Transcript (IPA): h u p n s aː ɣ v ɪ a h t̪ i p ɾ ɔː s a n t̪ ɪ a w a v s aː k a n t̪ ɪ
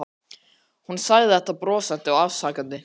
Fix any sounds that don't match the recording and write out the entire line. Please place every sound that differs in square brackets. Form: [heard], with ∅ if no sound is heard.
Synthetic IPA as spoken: h u [∅] n s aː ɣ [ð] ɪ [ɛ] h t̪ [a] p ɾ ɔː s a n t̪ ɪ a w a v s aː k a n t̪ ɪ